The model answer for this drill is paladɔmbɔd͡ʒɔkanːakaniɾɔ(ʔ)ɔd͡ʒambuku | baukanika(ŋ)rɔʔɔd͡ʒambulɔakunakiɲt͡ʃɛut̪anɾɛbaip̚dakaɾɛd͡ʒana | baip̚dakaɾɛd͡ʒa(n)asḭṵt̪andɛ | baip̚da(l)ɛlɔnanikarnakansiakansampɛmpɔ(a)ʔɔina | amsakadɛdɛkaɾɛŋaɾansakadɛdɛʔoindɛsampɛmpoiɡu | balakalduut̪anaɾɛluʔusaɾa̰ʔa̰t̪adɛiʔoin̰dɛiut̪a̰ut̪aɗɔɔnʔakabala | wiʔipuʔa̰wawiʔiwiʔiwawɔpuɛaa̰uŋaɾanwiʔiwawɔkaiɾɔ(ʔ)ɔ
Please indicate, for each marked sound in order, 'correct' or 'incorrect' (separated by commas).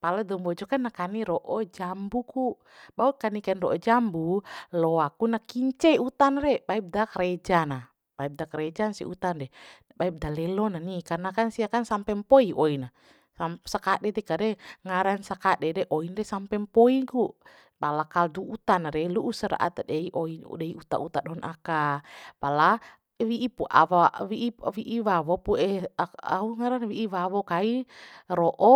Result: correct, incorrect, correct, correct, incorrect, correct